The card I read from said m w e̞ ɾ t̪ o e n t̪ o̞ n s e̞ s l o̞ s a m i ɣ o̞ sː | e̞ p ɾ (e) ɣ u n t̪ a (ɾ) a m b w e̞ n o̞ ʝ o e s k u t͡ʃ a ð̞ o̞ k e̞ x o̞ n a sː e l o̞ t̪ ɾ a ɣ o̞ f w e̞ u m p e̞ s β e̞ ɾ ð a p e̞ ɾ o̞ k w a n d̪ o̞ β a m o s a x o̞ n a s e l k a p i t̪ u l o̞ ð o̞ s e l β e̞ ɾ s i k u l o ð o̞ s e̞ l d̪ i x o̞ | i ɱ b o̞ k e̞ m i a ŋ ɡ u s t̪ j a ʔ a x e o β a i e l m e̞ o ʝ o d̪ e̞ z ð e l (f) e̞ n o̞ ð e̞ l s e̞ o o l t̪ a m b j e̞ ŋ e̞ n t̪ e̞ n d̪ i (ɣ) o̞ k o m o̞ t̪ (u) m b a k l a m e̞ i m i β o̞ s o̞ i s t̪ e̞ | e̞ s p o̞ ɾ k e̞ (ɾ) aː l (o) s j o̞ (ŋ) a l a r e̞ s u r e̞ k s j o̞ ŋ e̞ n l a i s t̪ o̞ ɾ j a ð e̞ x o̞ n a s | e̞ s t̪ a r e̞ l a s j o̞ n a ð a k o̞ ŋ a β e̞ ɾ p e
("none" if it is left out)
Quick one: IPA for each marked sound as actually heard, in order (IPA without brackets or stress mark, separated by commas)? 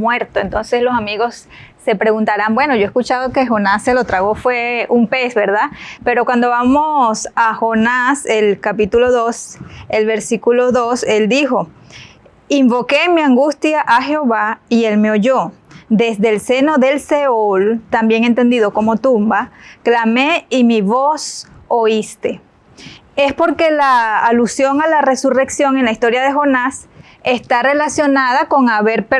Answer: e, ɾ, s, ð, u, l, u, ŋ